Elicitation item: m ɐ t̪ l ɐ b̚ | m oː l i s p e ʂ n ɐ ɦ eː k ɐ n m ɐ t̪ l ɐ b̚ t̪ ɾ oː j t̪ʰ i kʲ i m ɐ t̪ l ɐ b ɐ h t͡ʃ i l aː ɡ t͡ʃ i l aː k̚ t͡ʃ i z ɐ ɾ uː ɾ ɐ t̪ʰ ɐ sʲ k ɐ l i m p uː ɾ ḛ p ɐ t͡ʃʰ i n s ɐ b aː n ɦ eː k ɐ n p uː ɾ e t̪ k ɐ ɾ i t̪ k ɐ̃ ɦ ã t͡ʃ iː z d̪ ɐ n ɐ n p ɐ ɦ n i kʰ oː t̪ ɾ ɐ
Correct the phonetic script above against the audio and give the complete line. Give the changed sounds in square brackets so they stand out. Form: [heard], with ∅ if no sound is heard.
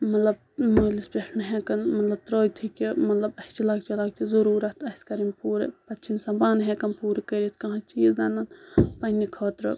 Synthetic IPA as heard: m ɐ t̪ l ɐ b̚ | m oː l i s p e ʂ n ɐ ɦ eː k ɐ n m ɐ t̪ l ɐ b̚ t̪ ɾ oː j t̪ʰ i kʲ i m ɐ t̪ l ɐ b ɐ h t͡ʃ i l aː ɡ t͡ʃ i l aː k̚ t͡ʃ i z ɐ ɾ uː ɾ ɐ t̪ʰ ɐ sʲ k ɐ [ɾ] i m p uː ɾ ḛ p ɐ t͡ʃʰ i n s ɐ b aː n ɦ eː k ɐ n p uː ɾ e [∅] k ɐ ɾ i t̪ k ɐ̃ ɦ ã t͡ʃ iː z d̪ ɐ n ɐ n p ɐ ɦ n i kʰ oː t̪ ɾ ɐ